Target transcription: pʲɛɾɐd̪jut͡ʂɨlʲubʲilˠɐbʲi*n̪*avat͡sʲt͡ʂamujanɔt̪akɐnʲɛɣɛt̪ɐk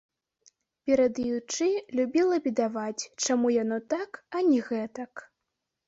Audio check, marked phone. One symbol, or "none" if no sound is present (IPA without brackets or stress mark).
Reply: d̪